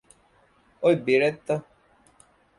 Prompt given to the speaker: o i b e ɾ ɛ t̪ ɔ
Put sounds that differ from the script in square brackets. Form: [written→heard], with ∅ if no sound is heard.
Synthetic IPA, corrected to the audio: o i b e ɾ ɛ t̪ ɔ